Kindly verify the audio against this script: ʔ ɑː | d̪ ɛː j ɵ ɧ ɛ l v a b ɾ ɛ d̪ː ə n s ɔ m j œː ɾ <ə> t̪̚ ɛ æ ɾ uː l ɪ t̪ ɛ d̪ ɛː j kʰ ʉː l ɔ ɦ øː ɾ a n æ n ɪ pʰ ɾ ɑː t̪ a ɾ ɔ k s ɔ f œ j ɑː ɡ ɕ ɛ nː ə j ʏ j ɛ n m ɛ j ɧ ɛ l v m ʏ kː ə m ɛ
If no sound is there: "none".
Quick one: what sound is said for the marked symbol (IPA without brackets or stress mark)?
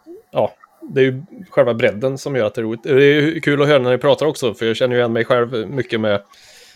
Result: a